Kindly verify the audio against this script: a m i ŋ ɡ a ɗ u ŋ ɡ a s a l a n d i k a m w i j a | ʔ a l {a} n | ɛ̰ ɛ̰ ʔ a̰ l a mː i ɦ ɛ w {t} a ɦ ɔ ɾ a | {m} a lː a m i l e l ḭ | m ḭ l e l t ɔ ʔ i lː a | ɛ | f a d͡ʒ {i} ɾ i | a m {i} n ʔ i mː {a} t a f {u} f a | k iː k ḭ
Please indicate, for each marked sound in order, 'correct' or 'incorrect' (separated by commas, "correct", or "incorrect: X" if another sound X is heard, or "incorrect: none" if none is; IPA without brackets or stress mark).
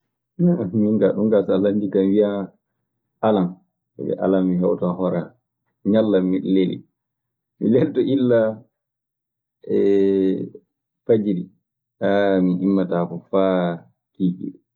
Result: correct, correct, incorrect: ɲ, correct, correct, correct, incorrect: ɔ